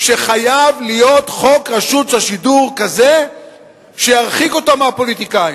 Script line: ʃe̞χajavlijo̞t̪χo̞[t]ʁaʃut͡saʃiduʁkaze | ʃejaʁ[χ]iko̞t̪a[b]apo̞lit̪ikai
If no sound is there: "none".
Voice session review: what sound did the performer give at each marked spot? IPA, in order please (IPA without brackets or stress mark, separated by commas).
k, χ, m